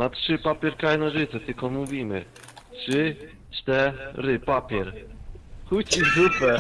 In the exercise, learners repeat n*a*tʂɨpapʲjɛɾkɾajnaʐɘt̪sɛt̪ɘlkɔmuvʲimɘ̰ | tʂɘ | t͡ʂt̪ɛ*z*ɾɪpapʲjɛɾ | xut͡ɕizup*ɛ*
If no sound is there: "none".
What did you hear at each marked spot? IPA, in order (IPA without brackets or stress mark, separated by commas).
a, none, ɛ